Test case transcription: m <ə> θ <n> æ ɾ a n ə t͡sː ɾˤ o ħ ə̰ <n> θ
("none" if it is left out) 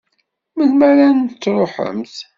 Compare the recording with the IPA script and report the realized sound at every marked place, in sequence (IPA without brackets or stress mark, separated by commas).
ə, m, m